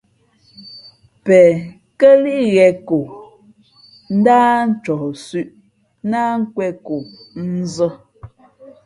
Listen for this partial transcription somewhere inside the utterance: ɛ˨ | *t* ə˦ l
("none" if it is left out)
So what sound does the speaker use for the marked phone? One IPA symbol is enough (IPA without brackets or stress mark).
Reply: k